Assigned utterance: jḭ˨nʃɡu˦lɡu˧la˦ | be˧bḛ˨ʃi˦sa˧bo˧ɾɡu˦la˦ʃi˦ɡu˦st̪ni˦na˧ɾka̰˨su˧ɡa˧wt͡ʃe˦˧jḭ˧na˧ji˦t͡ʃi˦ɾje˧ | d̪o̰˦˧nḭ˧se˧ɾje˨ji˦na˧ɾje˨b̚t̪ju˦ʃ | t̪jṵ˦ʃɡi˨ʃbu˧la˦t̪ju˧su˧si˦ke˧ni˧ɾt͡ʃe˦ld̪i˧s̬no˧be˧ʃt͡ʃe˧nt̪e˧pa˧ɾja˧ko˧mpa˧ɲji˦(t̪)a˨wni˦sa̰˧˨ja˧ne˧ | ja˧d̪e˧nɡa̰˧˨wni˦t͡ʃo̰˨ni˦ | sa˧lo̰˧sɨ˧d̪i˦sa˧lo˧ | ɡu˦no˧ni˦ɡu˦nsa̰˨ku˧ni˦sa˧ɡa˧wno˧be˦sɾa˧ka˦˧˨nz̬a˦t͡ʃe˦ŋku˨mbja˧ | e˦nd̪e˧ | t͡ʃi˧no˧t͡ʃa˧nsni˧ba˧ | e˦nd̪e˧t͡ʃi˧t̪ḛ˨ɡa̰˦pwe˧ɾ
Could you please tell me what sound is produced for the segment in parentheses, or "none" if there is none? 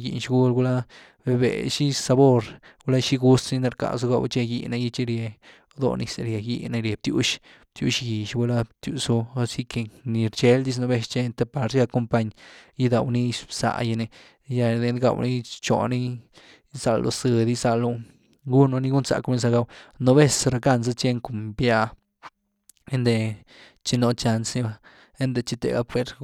d̪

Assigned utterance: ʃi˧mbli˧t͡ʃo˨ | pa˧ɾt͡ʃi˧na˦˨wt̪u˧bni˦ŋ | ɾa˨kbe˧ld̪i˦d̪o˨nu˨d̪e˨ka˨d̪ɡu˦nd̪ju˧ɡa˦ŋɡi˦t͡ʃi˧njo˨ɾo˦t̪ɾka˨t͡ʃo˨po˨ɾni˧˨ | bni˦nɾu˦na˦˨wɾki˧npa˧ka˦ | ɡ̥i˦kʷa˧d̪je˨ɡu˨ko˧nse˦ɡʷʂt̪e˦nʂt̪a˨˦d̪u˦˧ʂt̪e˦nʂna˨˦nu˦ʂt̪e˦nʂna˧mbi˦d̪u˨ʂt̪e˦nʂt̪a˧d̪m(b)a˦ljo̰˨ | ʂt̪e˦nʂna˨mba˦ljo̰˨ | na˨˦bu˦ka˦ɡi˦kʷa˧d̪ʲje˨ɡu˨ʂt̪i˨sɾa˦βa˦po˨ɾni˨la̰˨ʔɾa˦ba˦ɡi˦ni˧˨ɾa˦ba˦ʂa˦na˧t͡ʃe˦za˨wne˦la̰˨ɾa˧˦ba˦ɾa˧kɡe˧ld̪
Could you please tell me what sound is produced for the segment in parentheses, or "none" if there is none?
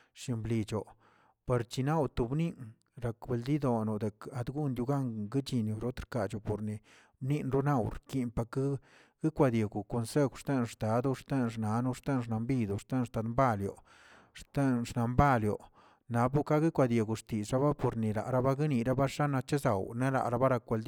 b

